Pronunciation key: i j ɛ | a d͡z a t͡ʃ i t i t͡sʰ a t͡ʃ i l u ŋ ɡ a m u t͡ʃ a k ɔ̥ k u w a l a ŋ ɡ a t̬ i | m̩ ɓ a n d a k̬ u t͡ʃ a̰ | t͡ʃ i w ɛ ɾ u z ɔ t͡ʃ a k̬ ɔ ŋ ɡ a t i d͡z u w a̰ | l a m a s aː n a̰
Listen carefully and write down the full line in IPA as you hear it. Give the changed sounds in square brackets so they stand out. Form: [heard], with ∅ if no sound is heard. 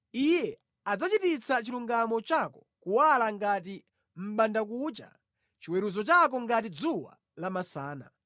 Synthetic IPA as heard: i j ɛ | a d͡z a t͡ʃ i t i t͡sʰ a t͡ʃ i l u ŋ ɡ a m [ɔ] t͡ʃ a k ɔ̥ k u w a l a ŋ ɡ a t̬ i | m̩ ɓ a n d a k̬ u t͡ʃ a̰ | t͡ʃ i w ɛ ɾ u z ɔ t͡ʃ a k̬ ɔ ŋ ɡ a t i d͡z u w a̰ | l a m a s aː n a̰